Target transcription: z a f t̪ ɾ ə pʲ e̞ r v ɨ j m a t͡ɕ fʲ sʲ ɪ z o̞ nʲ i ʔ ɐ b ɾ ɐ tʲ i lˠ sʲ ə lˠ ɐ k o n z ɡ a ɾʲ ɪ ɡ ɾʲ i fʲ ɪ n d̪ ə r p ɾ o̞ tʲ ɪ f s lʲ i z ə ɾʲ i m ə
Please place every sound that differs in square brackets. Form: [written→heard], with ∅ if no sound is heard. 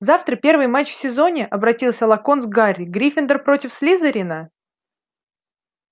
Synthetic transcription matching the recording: z a f t̪ ɾ ə pʲ e̞ r v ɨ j m a t͡ɕ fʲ sʲ ɪ z o̞ nʲ [i→ɪ] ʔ ɐ b ɾ ɐ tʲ i lˠ sʲ ə lˠ ɐ k o n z ɡ a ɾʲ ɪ ɡ ɾʲ i fʲ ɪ n d̪ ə r p ɾ o̞ tʲ ɪ f s lʲ i z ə ɾʲ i [m→n] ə